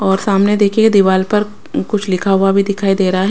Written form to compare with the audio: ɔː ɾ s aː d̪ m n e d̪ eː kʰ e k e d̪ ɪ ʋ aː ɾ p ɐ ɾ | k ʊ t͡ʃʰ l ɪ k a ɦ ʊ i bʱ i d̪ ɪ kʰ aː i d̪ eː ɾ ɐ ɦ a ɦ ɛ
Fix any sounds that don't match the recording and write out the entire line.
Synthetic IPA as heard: ɔː ɾ s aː m n e d̪ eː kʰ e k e d̪ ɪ ʋ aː l p ɐ ɾ | k ʊ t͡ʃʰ l ɪ kʰ a ɦ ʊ a bʱ i d̪ ɪ kʰ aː i d̪ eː ɾ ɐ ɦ a ɦ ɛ